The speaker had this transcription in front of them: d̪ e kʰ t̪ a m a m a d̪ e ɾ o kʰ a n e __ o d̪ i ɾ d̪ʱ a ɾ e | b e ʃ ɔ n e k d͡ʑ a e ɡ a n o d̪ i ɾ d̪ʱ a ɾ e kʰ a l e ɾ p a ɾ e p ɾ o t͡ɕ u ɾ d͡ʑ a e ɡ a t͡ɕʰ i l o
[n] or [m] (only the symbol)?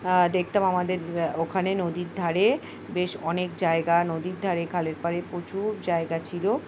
n